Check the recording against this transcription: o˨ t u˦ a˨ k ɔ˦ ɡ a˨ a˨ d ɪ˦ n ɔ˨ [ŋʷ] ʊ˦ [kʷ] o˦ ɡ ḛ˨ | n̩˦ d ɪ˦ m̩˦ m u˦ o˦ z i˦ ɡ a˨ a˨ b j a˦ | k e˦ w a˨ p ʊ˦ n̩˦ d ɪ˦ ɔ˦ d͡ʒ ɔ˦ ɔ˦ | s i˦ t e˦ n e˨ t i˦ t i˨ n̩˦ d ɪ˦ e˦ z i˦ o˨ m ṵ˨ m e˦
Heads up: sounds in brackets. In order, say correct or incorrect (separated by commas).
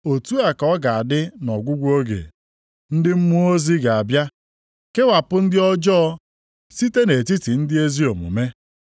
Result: incorrect, incorrect